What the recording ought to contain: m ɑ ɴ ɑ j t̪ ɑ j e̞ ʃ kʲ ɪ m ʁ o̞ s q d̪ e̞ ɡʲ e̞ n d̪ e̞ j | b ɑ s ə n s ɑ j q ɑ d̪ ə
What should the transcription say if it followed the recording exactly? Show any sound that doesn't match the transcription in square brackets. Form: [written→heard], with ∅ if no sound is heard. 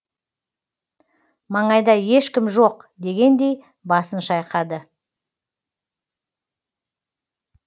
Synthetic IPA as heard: m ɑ ɴ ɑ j [t̪→d̪] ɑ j e̞ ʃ kʲ ɪ m [ʁ→ʒ] o̞ [s→∅] q d̪ e̞ ɡʲ e̞ n d̪ e̞ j | b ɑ s ə n [s→ʃ] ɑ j q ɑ d̪ ə